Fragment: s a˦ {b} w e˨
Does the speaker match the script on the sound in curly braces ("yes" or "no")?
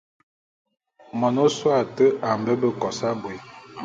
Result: yes